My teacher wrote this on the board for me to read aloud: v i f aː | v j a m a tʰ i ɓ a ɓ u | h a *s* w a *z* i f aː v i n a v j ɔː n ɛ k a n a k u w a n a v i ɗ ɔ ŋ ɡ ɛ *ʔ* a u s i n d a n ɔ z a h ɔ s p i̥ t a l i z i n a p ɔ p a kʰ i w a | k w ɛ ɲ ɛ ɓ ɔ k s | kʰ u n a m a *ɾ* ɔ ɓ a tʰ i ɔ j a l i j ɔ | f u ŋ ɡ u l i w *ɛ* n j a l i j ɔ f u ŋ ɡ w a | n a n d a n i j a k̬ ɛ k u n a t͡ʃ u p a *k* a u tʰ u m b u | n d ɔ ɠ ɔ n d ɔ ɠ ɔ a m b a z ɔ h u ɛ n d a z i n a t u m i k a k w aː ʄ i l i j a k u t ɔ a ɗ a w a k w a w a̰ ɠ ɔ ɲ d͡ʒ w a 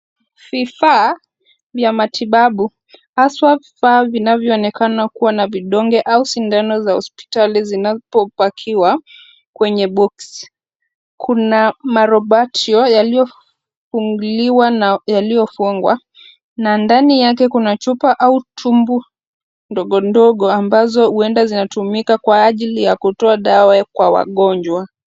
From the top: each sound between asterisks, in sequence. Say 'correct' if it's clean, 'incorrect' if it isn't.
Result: correct, incorrect, correct, correct, incorrect, incorrect

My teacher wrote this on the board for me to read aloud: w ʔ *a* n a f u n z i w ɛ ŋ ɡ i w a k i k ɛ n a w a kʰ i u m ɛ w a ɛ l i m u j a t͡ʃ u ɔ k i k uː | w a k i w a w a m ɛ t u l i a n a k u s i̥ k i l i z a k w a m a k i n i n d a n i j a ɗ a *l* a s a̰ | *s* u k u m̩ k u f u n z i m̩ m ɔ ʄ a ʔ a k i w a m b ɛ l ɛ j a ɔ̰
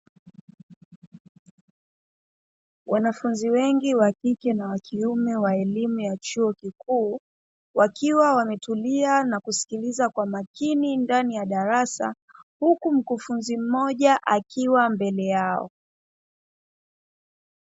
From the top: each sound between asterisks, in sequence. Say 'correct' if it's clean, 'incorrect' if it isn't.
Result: correct, incorrect, incorrect

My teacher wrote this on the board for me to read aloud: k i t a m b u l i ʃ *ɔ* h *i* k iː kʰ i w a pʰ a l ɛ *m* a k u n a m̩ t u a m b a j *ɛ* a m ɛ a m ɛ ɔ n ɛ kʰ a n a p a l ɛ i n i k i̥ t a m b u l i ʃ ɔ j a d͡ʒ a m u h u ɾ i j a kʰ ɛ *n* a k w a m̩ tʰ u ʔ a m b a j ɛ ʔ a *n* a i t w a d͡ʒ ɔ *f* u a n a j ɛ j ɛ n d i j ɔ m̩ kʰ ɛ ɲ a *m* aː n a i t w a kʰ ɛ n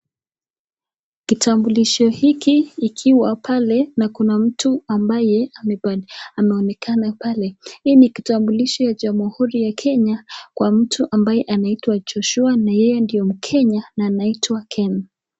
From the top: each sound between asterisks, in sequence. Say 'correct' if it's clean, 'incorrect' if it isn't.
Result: correct, correct, incorrect, correct, incorrect, correct, incorrect, incorrect

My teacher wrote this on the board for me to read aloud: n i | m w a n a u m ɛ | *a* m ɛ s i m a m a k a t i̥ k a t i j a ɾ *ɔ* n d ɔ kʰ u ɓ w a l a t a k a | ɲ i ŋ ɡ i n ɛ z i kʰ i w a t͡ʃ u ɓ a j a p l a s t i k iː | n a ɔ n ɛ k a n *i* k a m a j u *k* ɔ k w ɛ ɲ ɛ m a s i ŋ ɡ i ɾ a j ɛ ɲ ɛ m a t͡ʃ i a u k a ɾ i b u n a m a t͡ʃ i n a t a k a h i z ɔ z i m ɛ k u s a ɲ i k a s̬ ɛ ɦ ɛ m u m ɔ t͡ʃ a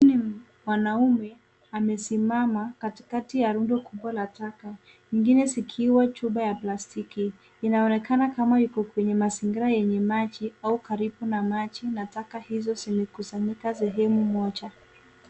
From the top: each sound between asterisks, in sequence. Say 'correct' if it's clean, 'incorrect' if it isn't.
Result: correct, incorrect, incorrect, correct

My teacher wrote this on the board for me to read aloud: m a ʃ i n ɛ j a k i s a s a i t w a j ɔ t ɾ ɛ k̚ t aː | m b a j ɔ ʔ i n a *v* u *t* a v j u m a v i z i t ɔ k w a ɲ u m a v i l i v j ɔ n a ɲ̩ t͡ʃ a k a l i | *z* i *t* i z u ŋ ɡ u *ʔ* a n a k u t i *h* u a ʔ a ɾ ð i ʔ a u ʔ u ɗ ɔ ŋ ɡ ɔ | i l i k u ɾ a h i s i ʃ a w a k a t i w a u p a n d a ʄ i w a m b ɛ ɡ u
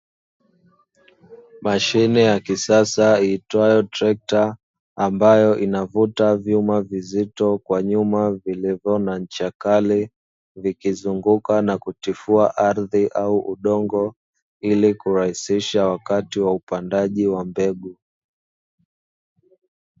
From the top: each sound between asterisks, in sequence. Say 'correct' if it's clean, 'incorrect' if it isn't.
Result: correct, correct, incorrect, incorrect, incorrect, incorrect

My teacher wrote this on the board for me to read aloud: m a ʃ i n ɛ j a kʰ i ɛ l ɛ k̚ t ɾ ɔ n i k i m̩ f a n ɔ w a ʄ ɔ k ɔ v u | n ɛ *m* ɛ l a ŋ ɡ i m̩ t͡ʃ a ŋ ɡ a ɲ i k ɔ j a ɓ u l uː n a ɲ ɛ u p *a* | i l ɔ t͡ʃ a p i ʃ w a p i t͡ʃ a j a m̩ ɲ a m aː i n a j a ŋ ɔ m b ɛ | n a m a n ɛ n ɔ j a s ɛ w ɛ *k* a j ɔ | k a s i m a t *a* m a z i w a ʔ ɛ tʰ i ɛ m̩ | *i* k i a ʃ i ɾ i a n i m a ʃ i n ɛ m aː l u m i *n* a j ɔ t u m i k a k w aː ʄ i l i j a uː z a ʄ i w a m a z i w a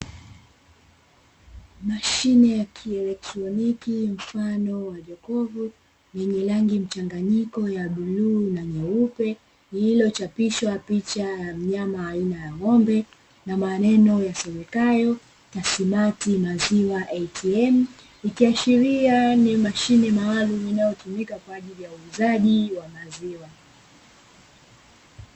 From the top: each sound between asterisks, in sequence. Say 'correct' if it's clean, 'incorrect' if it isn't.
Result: incorrect, incorrect, correct, incorrect, correct, correct

